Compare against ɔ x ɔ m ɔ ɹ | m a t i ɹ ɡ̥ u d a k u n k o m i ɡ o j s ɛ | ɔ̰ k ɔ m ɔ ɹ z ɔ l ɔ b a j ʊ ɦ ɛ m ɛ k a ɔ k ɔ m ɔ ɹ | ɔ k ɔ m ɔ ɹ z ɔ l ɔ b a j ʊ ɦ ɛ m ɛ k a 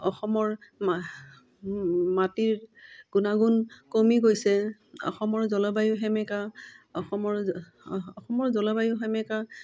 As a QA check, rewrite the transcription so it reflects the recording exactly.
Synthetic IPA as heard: ɔ x ɔ m ɔ ɹ | m a t i ɹ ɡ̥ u n a ɡ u n k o m i ɡ o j s ɛ | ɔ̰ x ɔ m ɔ ɹ z ɔ l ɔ b a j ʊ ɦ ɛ m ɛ k a ɔ x ɔ m ɔ ɹ | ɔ x ɔ m ɔ ɹ z ɔ l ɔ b a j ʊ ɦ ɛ m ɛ k a